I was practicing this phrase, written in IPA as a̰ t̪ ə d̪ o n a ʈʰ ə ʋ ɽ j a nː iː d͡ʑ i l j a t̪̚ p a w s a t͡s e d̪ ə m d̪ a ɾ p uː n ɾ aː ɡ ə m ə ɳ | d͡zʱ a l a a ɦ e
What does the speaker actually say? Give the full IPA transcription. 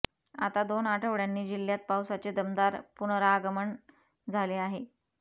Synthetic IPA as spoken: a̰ t̪ a d̪ o n a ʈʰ ə ʋ ɽ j a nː iː d͡ʑ i l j a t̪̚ p a w s a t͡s e d̪ ə m d̪ a ɾ p u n ɾ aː ɡ ə m ə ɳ | d͡zʱ a l e a ɦ e